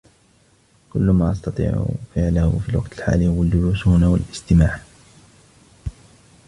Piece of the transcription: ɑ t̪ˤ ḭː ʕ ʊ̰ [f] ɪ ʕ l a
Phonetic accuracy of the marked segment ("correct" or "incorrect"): correct